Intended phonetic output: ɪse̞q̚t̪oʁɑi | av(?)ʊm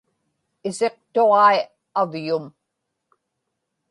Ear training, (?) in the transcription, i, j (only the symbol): j